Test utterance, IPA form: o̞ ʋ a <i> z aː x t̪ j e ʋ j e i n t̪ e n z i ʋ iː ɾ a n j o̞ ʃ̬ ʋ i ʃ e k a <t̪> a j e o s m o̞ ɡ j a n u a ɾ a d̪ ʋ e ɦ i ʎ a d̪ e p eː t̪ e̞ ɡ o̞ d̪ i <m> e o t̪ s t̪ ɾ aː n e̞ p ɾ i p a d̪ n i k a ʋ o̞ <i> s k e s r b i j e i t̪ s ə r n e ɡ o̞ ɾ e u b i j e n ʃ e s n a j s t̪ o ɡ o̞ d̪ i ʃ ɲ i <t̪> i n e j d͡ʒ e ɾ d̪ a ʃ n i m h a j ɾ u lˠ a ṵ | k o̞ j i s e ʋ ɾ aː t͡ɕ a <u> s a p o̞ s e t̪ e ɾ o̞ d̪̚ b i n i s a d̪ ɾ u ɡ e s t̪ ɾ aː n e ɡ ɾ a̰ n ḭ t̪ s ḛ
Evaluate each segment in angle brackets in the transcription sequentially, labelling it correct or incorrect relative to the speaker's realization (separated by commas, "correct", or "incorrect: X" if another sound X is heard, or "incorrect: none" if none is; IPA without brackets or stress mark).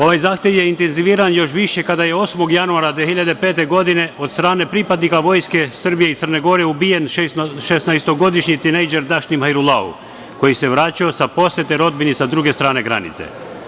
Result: incorrect: j, incorrect: d̪, incorrect: n, incorrect: j, correct, incorrect: o